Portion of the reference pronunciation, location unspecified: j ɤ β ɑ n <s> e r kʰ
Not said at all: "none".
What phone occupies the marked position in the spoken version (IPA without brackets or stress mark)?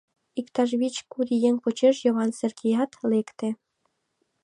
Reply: s